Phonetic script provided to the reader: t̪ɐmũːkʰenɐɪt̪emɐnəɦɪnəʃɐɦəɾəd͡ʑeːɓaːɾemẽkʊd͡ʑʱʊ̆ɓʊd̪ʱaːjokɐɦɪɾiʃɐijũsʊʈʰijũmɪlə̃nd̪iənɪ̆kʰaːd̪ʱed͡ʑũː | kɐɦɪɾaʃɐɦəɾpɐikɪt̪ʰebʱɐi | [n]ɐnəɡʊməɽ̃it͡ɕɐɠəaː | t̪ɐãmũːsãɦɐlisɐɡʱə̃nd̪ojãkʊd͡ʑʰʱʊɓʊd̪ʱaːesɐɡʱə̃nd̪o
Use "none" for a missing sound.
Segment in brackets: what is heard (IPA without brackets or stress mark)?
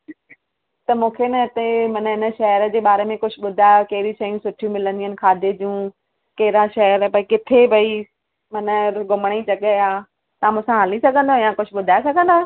m